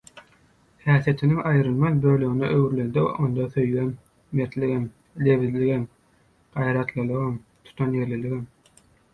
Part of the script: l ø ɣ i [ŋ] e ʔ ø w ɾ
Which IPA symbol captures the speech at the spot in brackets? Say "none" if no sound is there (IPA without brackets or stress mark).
n